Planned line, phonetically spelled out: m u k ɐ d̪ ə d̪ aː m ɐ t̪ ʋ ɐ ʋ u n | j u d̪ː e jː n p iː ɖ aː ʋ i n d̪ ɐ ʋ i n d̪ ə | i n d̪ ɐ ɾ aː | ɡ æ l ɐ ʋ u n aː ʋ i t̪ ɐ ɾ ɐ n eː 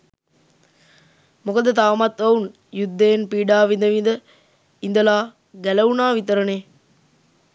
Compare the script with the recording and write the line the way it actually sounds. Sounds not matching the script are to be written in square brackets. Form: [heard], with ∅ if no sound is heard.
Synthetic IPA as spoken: m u k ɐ d̪ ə [t̪] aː m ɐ t̪ ʋ ɐ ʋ u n | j u d̪ː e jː n p iː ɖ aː ʋ i n d̪ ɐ ʋ i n d̪ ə | i n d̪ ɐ [l] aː | ɡ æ l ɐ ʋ u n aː ʋ i t̪ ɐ ɾ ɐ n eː